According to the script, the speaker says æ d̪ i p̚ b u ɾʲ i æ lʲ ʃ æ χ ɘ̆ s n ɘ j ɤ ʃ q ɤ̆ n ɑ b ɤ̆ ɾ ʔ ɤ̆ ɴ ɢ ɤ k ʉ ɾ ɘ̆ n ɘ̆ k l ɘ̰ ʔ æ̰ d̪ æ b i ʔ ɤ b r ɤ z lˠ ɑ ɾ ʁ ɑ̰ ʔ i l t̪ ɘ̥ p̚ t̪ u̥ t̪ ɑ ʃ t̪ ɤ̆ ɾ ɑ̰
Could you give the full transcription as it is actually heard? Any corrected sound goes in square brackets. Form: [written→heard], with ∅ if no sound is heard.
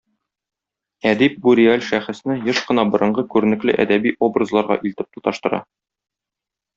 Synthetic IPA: æ d̪ i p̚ b u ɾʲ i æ lʲ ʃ æ χ ɘ̆ s n ɘ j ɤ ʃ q ɤ̆ n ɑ b ɤ̆ ɾ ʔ ɤ̆ ɴ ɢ ɤ k ʉ ɾ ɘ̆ n ɘ̆ k l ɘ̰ ʔ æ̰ d̪ æ b i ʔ [ɤ→o] b r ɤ z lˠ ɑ ɾ ʁ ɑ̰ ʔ i l t̪ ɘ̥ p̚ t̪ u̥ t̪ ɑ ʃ t̪ ɤ̆ ɾ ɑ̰